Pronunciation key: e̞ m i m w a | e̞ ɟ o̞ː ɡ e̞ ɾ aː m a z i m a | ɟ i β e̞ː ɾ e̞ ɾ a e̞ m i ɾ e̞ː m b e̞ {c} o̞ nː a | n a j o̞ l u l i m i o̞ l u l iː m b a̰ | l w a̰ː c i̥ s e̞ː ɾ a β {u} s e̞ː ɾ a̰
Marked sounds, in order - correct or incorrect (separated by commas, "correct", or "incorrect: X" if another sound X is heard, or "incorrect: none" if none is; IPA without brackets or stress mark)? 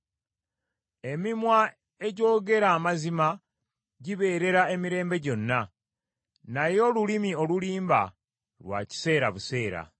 incorrect: ɟ, correct